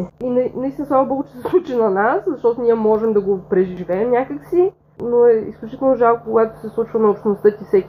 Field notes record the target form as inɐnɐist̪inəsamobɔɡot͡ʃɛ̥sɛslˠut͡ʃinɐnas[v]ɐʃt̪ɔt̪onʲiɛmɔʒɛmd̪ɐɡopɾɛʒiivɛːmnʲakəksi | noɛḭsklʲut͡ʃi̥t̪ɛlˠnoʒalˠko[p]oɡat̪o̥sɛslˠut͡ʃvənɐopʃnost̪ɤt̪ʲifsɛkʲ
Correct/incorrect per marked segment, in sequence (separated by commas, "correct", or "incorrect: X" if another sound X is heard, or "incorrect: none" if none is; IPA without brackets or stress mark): incorrect: z, incorrect: k